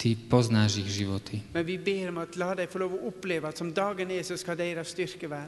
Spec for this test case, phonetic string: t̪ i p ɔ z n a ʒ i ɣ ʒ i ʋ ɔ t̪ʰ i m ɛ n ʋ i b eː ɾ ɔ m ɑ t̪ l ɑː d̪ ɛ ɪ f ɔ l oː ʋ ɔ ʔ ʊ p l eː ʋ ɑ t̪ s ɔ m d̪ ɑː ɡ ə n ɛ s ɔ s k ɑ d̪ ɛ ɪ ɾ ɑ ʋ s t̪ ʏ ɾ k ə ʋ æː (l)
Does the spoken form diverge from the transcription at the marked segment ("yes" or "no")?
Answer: yes